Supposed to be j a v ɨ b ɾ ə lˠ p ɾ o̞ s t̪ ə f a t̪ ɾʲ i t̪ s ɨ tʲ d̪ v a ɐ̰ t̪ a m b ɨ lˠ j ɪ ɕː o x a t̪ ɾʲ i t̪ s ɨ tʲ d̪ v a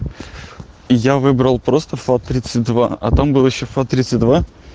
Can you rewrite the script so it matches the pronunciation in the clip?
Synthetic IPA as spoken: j a v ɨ b ɾ ə lˠ p ɾ o̞ s t̪ ə f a t̪ ɾʲ i t̪ s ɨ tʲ d̪ v a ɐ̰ t̪ a m b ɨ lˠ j ɪ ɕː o f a t̪ ɾʲ i t̪ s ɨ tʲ d̪ v a